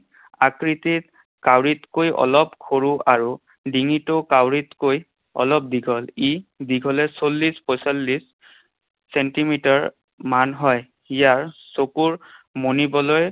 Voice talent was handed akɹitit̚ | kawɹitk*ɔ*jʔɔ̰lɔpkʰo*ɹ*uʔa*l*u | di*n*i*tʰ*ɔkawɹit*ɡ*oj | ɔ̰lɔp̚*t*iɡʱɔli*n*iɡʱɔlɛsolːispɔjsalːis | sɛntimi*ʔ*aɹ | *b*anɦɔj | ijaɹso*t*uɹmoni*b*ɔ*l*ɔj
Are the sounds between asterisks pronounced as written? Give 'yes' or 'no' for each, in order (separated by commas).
no, yes, no, no, no, no, no, no, no, no, no, yes, yes